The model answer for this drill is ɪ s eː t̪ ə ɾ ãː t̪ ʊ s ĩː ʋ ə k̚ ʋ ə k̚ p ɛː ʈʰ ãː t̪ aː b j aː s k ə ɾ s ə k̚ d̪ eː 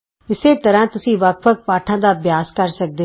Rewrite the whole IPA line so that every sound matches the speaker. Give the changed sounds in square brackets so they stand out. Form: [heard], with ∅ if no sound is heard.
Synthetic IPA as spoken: ɪ s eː t̪ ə ɾ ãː t̪ ʊ s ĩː ʋ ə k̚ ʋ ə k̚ p [aː] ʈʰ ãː [d̪] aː b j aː s k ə ɾ s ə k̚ d̪ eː